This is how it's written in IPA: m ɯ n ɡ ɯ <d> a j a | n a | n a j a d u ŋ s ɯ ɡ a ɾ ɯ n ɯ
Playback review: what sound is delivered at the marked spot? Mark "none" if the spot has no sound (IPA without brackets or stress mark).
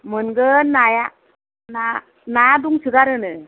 n